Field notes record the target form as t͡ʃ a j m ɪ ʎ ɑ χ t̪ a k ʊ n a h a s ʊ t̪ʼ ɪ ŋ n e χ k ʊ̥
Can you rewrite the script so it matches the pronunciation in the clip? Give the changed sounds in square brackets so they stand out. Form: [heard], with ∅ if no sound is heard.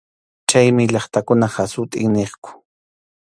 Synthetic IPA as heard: t͡ʃ a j m ɪ ʎ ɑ χ t̪ a k ʊ n a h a s ʊ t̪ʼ ɪ ŋ n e χ k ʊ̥

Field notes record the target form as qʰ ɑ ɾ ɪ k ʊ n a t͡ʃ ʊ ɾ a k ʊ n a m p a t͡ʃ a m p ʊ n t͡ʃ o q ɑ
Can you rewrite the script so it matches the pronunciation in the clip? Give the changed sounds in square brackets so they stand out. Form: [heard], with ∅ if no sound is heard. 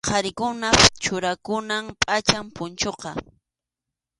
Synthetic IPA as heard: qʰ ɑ ɾ ɪ k ʊ n a t͡ʃ ʊ ɾ a k ʊ n a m [pʼ] a t͡ʃ a m p ʊ n t͡ʃ o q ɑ

